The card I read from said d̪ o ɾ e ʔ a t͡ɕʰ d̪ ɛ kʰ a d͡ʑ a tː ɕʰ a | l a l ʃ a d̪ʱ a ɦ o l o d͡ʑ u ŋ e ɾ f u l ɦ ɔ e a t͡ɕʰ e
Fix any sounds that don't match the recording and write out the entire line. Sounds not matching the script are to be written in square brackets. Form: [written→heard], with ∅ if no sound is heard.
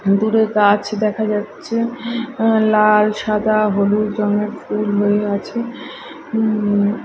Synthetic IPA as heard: d̪ [o→u] ɾ e [ʔ→k] a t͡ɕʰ d̪ ɛ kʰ a d͡ʑ a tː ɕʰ [a→e] | l a l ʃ a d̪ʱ a ɦ o l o d͡ʑ [u→ɔ] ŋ e ɾ f u l ɦ [ɔ→o] e a t͡ɕʰ e